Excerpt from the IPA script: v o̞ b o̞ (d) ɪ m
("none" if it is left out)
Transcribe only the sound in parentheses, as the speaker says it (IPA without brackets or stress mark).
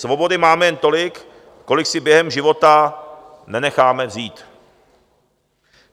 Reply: d